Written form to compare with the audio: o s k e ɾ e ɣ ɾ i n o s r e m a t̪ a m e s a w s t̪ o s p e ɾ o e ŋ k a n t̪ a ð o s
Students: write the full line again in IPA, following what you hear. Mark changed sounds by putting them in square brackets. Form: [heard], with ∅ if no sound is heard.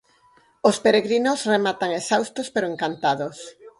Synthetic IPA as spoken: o s [p] e ɾ e ɣ ɾ i n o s r e m a t̪ a [ŋ] e s a w s t̪ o s p e ɾ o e ŋ k a n t̪ a ð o s